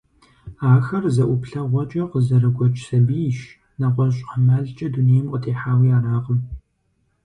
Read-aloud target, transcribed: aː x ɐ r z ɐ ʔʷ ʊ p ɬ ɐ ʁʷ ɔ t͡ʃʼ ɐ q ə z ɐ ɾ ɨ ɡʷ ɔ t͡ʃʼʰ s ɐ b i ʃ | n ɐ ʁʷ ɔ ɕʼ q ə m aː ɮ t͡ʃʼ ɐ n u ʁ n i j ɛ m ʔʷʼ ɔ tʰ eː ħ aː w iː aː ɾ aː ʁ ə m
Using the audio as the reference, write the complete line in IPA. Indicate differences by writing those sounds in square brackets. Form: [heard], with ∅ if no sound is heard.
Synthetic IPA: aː x ɐ r z ɐ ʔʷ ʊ p ɬ ɐ ʁʷ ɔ t͡ʃʼ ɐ q ə z ɐ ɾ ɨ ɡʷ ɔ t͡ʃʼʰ s ɐ b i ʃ | n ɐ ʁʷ ɔ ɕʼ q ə m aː ɮ t͡ʃʼ ɐ [d] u [∅] n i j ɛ m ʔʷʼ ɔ tʰ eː ħ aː w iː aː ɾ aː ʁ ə m